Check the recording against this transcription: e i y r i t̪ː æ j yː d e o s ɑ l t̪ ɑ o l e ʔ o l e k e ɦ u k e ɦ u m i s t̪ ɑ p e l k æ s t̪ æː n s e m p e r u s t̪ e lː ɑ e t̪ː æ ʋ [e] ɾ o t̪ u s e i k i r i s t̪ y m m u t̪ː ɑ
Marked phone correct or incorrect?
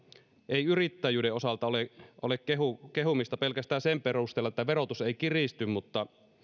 correct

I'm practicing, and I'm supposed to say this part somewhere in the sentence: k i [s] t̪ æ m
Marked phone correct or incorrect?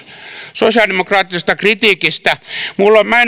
correct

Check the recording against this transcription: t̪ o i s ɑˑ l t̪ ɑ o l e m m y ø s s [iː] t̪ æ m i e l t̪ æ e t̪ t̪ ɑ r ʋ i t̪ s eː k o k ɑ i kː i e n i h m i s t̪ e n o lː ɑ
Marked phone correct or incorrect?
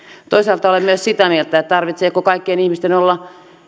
incorrect: i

